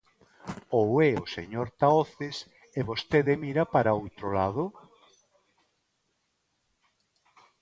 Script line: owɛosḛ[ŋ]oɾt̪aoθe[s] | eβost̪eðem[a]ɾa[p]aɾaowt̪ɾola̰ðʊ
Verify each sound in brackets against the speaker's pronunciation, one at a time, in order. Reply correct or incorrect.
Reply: incorrect, correct, incorrect, correct

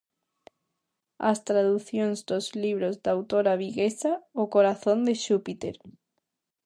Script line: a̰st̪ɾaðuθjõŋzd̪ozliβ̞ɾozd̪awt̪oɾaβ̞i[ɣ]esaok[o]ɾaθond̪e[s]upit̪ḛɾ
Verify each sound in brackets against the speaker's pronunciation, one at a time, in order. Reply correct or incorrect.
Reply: correct, correct, incorrect

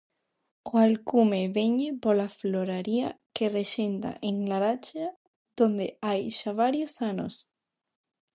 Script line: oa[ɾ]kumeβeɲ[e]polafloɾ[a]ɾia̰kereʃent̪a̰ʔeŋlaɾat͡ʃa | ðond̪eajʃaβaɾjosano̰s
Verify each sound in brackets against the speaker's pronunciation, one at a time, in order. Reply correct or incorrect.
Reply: incorrect, correct, correct

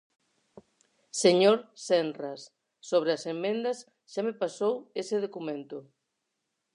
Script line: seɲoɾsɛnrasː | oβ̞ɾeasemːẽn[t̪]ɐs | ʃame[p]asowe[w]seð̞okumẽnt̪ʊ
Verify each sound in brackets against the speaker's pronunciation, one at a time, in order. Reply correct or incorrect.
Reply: incorrect, correct, incorrect

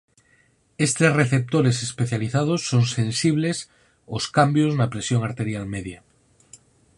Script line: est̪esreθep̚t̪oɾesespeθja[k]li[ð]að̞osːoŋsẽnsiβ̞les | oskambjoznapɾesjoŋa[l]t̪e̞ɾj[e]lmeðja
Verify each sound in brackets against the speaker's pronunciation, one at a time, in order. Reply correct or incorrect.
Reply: incorrect, incorrect, incorrect, incorrect

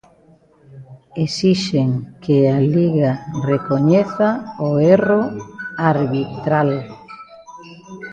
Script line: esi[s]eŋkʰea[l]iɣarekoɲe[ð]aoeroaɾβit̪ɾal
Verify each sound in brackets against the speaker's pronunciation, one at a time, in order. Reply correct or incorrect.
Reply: incorrect, correct, incorrect

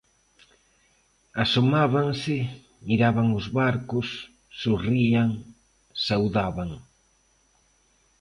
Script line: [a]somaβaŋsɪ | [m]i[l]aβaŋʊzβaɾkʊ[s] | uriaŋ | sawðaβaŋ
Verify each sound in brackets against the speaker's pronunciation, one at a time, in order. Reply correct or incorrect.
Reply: correct, correct, incorrect, incorrect

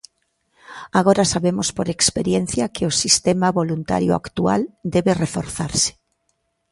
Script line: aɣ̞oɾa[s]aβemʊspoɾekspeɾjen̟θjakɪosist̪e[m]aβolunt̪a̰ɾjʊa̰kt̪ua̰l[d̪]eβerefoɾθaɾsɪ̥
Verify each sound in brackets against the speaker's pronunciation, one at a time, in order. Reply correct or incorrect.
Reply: correct, correct, correct

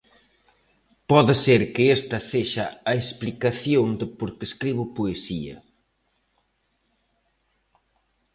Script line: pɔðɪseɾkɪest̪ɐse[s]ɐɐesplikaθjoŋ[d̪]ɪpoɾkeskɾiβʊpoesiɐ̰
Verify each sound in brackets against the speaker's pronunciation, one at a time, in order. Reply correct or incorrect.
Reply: incorrect, correct

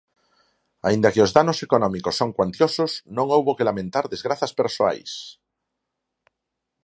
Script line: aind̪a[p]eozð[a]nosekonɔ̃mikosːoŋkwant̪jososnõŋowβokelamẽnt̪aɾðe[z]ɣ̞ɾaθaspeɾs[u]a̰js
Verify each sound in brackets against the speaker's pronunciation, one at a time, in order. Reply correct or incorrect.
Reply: incorrect, correct, correct, incorrect

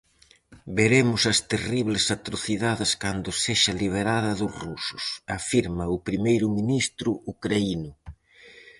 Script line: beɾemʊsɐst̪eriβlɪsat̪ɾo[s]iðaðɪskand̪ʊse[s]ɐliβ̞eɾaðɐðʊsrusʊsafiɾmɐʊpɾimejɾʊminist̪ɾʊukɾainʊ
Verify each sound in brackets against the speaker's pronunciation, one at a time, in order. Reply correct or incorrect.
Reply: incorrect, incorrect

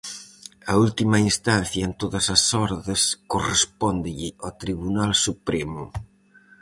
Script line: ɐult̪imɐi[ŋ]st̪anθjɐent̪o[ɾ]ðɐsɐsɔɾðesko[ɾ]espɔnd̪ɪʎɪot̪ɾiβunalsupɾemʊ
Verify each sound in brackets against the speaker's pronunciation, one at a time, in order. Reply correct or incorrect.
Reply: incorrect, incorrect, incorrect

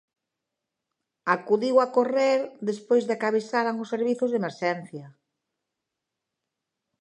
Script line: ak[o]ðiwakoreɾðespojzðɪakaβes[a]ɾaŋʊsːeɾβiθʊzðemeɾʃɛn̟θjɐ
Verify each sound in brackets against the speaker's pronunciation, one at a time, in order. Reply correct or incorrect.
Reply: incorrect, correct

